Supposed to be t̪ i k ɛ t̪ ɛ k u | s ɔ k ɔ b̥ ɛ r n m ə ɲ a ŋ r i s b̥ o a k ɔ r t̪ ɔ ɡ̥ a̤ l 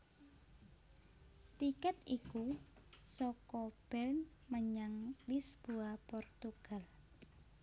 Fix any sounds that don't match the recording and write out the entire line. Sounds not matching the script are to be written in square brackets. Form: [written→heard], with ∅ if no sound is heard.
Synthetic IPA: t̪ i k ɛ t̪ [ɛ→i] k u | s ɔ k ɔ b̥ ɛ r n m ə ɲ a ŋ [r→l] i s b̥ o a [k→p] ɔ r t̪ [ɔ→u] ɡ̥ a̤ l